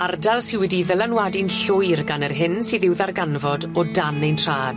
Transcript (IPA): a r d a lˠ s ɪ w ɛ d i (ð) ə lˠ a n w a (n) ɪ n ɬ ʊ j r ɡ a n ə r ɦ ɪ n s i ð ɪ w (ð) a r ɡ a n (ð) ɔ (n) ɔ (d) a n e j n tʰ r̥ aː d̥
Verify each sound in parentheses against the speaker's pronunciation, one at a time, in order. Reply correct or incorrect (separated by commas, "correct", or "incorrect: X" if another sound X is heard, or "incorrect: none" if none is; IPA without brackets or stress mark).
correct, incorrect: d, correct, incorrect: v, incorrect: d, correct